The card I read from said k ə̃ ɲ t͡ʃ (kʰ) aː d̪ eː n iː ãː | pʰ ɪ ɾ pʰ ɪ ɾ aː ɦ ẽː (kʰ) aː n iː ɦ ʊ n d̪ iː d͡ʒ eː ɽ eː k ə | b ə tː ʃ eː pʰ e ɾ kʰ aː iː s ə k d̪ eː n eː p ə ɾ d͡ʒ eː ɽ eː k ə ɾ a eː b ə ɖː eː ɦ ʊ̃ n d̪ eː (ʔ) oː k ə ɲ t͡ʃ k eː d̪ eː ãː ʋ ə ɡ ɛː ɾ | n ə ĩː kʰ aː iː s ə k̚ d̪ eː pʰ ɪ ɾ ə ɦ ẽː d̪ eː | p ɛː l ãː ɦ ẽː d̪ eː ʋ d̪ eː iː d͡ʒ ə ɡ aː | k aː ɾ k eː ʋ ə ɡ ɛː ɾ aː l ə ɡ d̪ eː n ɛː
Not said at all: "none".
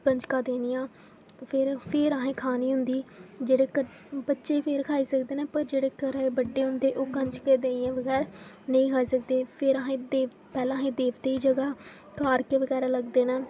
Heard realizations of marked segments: k, kʰ, ʔ

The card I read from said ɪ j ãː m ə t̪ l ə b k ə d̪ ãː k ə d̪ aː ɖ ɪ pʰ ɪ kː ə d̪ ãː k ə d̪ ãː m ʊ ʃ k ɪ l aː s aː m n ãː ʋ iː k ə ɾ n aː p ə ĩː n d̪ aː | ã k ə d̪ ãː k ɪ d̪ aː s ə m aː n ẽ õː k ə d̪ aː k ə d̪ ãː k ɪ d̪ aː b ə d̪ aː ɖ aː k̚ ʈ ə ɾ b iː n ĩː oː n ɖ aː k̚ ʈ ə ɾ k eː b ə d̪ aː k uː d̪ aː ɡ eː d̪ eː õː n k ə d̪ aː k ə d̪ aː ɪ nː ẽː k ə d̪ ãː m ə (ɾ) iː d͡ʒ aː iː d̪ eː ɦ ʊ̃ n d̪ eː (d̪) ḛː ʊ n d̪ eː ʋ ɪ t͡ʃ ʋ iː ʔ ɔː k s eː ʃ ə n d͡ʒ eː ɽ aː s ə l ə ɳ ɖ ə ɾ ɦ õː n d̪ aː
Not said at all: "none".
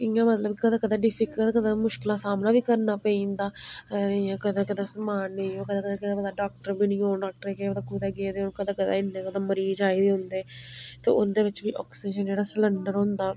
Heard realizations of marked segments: ɾ, t̪

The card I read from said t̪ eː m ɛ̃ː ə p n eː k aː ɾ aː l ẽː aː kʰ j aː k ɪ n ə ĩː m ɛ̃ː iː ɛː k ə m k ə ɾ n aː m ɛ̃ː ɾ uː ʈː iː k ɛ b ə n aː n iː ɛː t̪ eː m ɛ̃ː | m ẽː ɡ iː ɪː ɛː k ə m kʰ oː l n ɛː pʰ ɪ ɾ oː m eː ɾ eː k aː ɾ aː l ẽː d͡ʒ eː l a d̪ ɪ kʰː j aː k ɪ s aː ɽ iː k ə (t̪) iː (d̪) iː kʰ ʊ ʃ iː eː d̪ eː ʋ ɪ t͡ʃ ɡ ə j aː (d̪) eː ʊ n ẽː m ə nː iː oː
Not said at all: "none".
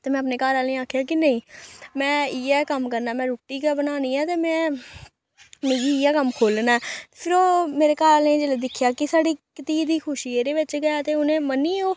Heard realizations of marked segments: t̪, d̪, t̪

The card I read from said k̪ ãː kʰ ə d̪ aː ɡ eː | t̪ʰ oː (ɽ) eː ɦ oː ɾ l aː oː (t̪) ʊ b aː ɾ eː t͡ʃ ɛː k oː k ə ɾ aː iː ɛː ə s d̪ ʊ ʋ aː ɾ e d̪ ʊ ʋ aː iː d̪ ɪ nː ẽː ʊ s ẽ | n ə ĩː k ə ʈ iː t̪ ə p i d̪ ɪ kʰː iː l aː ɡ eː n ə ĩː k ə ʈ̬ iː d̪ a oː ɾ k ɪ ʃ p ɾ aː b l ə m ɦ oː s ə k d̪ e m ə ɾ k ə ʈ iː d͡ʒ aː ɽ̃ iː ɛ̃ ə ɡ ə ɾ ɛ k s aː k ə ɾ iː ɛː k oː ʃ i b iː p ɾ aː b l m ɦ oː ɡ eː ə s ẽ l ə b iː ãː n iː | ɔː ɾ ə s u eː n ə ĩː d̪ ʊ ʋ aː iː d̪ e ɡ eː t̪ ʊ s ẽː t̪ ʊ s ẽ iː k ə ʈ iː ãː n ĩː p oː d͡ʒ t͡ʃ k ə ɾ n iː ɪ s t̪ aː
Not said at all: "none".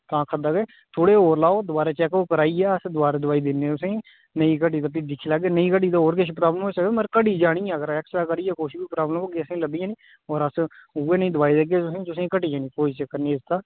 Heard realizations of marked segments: ɽ, d̪

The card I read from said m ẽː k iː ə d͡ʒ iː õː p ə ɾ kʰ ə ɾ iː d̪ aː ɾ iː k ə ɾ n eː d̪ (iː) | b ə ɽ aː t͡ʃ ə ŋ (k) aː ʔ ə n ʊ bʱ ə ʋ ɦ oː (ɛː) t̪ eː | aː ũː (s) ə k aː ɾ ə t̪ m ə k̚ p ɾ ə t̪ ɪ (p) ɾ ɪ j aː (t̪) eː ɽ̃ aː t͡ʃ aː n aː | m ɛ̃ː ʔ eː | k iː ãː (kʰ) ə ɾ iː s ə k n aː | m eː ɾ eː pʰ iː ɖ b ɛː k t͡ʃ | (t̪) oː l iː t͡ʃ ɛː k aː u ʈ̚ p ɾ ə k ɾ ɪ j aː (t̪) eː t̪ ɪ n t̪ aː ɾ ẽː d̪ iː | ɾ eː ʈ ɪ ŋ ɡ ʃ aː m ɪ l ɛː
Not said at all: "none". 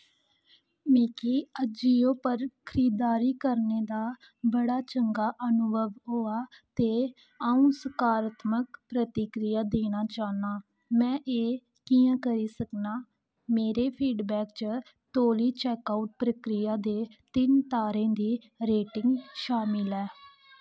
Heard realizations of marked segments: aː, ɡ, aː, s, k, d̪, k, t̪, d̪

